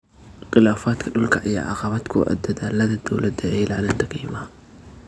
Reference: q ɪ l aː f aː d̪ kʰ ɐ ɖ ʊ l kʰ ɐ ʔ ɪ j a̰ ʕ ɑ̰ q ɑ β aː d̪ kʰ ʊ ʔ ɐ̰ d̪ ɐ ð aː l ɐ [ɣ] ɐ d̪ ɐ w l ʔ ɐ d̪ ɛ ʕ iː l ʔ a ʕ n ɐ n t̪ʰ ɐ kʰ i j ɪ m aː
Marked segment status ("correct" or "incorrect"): incorrect